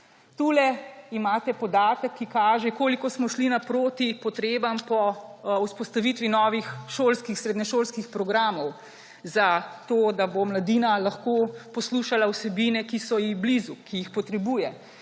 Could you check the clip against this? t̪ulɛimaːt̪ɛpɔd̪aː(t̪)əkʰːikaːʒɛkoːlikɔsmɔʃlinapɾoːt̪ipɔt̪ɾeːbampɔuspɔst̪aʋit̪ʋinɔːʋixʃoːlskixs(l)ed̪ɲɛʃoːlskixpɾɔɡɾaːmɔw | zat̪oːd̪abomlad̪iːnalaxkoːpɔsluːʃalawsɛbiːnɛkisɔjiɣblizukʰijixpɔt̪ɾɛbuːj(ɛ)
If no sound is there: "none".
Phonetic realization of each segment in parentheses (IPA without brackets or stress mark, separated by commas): t̪, ɾ, ɛ